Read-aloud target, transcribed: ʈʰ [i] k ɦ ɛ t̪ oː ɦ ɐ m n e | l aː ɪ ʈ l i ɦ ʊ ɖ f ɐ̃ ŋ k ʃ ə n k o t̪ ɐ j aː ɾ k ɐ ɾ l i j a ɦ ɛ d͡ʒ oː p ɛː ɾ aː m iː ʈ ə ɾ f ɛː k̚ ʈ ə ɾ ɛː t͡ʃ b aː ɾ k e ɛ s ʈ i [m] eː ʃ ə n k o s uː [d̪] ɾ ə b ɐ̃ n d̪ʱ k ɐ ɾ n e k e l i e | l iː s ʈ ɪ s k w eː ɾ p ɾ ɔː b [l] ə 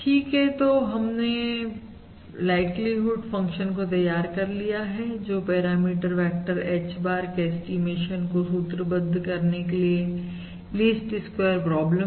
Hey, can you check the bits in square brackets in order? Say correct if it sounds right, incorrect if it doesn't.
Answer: incorrect: iː, correct, incorrect: t̪, correct

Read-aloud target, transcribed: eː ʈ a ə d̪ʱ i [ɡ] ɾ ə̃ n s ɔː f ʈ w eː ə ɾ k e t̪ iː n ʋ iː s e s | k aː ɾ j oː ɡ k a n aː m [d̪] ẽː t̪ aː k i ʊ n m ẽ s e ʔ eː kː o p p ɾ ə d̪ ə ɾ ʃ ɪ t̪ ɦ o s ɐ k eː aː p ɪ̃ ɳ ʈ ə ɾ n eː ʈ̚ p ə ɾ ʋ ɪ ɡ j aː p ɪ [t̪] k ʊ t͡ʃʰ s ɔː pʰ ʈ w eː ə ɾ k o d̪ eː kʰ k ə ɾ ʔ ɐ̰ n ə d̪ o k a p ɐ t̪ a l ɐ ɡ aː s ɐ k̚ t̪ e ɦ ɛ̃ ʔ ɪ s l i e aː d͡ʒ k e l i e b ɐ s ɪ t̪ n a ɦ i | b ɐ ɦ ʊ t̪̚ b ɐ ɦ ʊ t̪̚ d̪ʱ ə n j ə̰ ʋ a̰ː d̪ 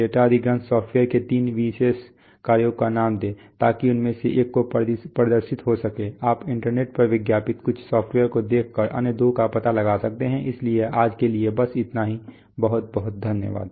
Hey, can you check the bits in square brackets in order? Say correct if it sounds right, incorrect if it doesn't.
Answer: correct, correct, correct

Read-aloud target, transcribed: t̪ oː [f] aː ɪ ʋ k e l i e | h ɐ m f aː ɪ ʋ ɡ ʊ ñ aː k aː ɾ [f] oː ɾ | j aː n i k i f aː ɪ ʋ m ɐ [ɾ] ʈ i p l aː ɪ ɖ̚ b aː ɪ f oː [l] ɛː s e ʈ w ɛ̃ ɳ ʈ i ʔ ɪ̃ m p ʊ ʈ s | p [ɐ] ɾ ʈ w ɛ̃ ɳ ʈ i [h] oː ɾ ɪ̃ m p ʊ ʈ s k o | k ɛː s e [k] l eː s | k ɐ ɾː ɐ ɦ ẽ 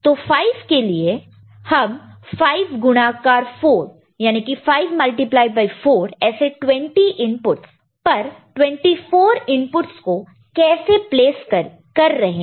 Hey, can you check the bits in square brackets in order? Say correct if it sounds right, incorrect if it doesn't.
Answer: correct, correct, incorrect: l, incorrect: ɾ, correct, incorrect: f, incorrect: p

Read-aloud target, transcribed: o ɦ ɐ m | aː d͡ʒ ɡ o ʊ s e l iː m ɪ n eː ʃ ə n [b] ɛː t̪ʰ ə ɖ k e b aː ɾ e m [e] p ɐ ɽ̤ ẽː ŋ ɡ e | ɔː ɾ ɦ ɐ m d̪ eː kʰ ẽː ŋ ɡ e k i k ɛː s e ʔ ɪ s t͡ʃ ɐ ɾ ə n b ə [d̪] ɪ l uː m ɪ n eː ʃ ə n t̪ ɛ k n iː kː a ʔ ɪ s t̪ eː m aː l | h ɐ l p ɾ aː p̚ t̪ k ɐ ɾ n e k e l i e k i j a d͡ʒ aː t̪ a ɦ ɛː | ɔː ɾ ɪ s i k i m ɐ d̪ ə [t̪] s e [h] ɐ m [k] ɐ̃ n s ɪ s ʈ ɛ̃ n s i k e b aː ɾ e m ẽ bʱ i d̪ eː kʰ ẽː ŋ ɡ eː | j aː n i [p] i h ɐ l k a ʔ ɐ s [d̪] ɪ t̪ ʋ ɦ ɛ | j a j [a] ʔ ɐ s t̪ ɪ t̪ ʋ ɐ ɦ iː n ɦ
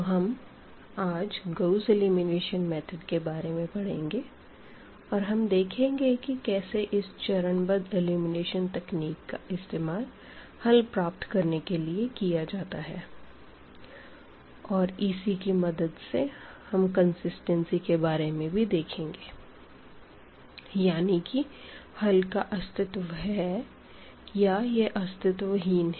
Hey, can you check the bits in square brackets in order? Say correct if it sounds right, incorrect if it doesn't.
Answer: incorrect: m, incorrect: ẽ, correct, incorrect: d̪, correct, correct, incorrect: k, incorrect: t̪, incorrect: e

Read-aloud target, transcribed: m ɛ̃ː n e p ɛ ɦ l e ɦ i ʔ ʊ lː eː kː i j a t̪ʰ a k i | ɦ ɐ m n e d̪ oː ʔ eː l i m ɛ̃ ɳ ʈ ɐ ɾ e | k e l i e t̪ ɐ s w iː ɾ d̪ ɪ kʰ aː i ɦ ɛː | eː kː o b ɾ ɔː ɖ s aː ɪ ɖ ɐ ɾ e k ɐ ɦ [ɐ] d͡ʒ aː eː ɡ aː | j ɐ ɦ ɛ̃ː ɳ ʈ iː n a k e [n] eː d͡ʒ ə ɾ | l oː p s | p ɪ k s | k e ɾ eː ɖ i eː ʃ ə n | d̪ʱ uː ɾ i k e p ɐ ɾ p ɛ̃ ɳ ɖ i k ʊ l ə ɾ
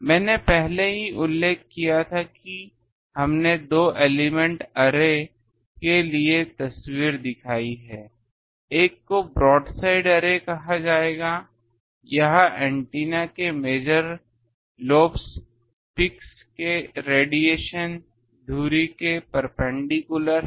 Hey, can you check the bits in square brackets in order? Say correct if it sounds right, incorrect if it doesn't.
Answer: incorrect: a, incorrect: m

